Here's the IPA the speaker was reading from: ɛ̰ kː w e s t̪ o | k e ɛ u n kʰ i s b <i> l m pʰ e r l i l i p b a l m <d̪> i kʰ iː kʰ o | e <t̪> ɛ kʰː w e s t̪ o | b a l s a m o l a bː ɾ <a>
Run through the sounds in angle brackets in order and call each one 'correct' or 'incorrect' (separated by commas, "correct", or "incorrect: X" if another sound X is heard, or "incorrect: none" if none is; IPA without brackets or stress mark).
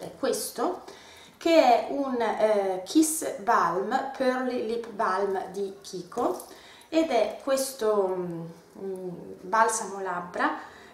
incorrect: a, correct, incorrect: d̪, correct